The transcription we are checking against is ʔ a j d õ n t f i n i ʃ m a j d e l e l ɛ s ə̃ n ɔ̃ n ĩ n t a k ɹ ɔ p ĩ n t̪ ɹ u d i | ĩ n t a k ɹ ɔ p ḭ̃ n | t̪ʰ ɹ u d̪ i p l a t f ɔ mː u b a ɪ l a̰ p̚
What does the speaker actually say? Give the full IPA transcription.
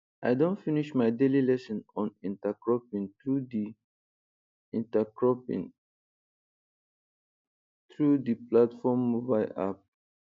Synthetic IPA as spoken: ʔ a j d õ n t f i n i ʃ m a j d e l i l ɛ s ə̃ n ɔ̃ n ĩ n t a k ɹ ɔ p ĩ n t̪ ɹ u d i | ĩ n t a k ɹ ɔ p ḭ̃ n | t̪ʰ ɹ u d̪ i p l a t f ɔ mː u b a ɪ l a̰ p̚

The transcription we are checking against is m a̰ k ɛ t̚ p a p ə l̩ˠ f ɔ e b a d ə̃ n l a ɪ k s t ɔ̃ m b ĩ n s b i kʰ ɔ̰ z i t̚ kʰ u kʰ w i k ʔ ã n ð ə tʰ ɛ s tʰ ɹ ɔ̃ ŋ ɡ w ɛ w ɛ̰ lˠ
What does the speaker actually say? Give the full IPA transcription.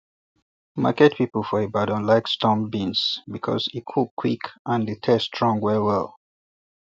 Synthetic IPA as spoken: m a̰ k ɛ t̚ p i p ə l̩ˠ f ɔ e b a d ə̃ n l a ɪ k s t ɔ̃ m b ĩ n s b i kʰ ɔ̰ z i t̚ kʰ u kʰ w i k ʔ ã n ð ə tʰ ɛ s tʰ ɹ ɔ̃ ŋ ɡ w ɛ w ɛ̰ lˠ

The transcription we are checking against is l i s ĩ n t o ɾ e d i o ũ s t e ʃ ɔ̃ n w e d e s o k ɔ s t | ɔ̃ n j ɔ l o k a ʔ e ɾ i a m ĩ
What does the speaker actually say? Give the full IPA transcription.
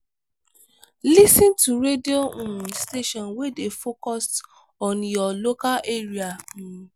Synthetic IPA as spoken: l i s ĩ n t u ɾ e d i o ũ s t e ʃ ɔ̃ n w e d e f o k ɔ s t | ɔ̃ n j ɔ l o k a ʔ e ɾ i a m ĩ

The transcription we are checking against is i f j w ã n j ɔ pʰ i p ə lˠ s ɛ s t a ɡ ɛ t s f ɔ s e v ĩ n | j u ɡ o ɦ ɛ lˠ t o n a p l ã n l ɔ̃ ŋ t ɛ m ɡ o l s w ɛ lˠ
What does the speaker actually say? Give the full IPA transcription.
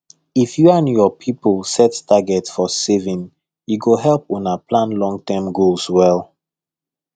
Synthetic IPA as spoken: i f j u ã n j ɔ pʰ i p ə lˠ s ɛ t t a ɡ ɛ t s f ɔ s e v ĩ n | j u ɡ o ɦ ɛ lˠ p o n a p l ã n l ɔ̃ ŋ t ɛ m ɡ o l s w ɛ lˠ

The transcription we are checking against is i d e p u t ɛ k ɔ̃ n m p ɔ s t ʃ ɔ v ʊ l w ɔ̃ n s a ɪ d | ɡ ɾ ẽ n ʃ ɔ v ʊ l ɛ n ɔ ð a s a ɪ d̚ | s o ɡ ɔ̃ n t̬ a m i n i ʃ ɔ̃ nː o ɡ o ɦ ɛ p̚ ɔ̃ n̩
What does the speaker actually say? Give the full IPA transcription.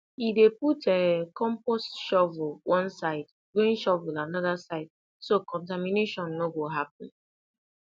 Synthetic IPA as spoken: i d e p u t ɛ k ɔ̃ m p ɔ s t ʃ ɔ v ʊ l w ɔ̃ n s a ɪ d | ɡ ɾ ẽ n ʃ ɔ v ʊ l a n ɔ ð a s a ɪ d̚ | s o k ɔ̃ n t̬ a m i n e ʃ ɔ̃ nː o ɡ o ɦ a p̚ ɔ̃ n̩

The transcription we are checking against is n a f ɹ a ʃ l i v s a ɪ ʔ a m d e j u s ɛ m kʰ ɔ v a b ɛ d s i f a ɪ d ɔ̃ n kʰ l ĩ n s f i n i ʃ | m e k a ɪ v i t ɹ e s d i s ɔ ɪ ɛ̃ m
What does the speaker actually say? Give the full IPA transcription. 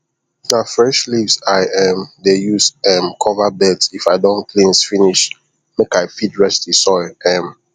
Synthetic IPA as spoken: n a f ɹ ɛ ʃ l i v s a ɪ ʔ ɛ m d e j u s ɛ m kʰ ɔ v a b ɛ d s i f a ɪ d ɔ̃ n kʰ l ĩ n s f i n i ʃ | m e k a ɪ f i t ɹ ɛ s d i s ɔ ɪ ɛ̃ m

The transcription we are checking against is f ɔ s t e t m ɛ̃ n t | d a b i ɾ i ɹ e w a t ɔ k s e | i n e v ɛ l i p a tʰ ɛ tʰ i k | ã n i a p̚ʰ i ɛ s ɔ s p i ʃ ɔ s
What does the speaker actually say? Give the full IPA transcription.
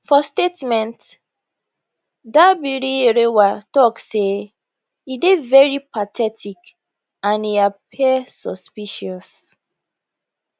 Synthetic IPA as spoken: f ɔ s t e t m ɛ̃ n t | d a b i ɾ i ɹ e w a t ɔ k s e | i d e v ɛ ɹ i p a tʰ ɛ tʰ i k | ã n i a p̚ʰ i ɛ s ɔ s p i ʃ ɔ s

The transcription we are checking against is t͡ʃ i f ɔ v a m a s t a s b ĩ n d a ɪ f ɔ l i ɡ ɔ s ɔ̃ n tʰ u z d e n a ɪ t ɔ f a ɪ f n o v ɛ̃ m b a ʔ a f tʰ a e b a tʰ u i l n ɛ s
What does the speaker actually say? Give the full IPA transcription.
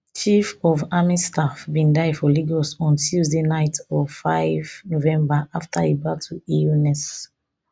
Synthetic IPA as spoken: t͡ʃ i f ɔ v a m i s t a f b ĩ n d a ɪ f ɔ l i ɡ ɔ s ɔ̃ n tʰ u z d e n a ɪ t ɔ f a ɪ v n o v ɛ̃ m b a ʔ a f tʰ a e b a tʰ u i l n ɛ s

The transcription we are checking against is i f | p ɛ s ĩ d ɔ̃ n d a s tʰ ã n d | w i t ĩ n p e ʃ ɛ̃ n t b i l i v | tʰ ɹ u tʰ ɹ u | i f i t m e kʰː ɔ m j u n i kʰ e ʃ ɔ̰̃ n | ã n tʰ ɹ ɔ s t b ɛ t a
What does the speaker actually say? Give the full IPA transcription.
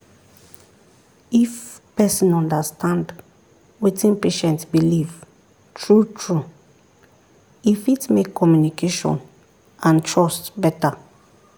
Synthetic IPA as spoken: i f | p ɛ s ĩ n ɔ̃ n d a s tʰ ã n d | w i t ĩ n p e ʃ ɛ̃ n t b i l i v | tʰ ɹ u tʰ ɹ u | i f i t m e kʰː ɔ m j u n i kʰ e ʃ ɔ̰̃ n | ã n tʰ ɹ ɔ s t b ɛ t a

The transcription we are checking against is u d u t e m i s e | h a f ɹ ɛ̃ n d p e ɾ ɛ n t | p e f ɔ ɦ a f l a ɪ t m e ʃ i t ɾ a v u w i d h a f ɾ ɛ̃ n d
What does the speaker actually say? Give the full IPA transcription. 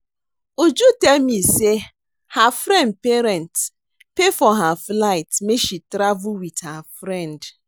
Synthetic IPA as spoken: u d͡ʒ u t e m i s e | h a f ɾ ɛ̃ n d p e ɾ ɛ n t | p e f ɔ ɦ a f l a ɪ t m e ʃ i t ɾ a v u w i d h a f ɾ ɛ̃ n d

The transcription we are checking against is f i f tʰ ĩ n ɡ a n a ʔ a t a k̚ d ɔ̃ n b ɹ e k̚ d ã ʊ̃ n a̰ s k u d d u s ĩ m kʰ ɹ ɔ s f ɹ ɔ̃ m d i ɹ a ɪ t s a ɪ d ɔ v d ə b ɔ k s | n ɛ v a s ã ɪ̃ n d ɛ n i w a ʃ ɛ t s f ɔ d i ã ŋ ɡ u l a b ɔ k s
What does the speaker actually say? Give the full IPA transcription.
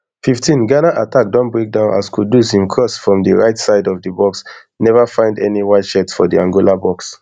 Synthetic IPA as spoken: f i f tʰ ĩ n ɡ a n a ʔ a t a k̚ d ɔ̃ n b ɹ e k̚ d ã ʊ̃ n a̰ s k u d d u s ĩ m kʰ ɹ ɔ s f ɹ ɔ̃ m d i ɹ a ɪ t s a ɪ d ɔ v d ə b ɔ k s | n ɛ v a f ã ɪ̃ n d ɛ n i w a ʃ ɛ t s f ɔ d i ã ŋ ɡ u l a b ɔ k s

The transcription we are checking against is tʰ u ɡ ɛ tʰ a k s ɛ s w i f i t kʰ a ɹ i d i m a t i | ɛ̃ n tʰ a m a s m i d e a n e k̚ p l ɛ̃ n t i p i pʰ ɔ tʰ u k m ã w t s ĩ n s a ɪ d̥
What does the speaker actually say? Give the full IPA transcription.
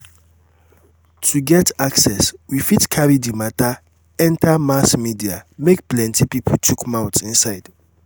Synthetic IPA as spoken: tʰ u ɡ ɛ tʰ a k s ɛ s w i f i t kʰ a ɹ i d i m a t a | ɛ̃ n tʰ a m a s m i d i a m e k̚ p l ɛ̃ n t i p i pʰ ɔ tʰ u k m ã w t s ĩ n s a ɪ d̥

